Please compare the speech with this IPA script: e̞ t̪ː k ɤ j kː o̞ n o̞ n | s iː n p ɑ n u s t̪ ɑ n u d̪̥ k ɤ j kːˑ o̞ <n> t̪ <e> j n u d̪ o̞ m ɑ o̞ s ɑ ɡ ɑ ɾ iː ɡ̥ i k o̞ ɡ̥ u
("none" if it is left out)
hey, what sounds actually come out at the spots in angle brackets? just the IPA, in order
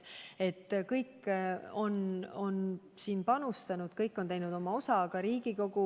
n, e

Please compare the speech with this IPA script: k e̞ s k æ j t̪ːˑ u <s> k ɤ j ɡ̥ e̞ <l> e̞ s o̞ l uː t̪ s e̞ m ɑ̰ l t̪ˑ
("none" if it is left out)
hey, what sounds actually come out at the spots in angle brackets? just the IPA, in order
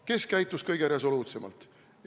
s, ɾ

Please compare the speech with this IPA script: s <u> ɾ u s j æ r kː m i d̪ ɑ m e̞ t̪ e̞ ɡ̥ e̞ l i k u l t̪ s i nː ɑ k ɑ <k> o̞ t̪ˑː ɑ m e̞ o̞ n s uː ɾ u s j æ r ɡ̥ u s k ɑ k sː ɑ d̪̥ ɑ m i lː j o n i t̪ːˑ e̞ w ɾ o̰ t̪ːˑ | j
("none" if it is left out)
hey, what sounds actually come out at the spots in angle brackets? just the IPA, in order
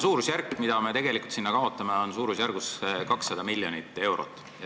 uː, none

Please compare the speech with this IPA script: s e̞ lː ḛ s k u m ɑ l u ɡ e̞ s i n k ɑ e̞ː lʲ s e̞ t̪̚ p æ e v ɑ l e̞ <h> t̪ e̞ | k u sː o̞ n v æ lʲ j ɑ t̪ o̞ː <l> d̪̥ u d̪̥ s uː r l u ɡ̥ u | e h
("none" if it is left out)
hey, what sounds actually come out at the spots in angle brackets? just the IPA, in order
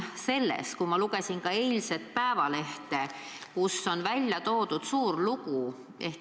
h, none

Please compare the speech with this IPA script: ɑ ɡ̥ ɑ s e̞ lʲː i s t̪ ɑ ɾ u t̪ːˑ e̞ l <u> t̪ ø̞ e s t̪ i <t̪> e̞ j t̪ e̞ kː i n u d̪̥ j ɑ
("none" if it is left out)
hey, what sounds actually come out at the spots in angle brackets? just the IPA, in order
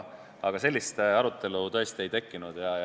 u, none

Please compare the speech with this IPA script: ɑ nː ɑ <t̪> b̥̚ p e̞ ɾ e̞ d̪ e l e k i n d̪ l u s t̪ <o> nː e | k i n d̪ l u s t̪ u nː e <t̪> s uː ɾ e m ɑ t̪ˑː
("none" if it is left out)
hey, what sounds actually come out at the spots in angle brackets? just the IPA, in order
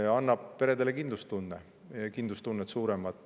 none, u, t̪

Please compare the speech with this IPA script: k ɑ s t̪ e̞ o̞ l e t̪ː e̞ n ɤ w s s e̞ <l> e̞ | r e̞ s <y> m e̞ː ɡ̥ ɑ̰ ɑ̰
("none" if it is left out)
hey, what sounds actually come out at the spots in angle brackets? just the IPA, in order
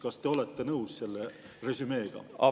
lː, y

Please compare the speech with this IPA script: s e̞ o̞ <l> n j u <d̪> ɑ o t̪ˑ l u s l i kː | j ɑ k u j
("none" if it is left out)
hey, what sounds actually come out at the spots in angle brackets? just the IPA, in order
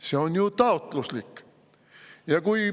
none, t̪

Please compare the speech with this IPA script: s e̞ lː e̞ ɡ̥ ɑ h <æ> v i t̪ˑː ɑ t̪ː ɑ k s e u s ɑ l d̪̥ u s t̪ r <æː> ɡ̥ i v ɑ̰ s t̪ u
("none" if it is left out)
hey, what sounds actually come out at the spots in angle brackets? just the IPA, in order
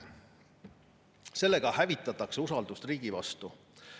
æ, iː

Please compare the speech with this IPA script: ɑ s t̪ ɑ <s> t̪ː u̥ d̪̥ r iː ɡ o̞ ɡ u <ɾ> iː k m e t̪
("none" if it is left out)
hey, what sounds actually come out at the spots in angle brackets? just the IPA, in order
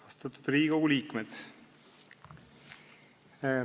none, l

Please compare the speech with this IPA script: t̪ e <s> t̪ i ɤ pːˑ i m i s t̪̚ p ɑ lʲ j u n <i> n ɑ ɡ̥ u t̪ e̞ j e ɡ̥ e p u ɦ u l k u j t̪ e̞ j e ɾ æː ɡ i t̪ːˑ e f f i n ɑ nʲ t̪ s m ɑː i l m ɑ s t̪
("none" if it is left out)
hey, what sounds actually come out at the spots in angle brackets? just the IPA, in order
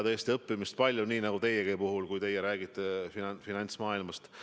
s, iː

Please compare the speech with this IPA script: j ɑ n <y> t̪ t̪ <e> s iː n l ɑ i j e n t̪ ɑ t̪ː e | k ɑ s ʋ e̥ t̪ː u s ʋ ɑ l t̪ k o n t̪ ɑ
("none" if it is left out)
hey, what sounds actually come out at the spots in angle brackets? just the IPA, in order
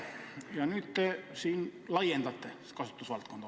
y, e

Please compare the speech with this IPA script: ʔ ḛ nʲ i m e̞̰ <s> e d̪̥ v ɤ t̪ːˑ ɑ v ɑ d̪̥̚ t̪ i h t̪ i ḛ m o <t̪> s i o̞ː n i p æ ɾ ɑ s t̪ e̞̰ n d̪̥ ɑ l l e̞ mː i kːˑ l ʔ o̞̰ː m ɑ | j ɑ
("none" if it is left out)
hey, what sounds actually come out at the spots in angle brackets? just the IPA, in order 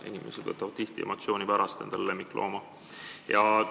s, t̪

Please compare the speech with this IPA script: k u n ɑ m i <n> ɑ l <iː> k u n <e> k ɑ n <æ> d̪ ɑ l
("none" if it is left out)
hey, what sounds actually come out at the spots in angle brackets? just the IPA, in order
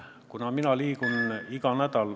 n, iː, i, æ

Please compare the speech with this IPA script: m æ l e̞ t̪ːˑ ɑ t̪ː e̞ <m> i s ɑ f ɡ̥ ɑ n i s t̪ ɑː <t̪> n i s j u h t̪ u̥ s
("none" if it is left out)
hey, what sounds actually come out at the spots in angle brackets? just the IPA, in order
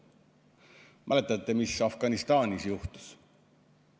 m, none

